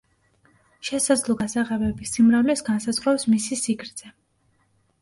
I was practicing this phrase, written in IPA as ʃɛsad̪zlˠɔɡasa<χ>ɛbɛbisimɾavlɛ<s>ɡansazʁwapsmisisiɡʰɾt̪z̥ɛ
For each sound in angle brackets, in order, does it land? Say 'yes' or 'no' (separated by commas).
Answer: no, yes